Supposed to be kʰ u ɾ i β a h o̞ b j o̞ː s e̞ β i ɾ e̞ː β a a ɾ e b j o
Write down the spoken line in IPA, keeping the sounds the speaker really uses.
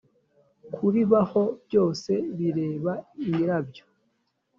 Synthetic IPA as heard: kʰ u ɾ i β a h o̞ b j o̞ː s e̞ β i ɾ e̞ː β a i ɾ a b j o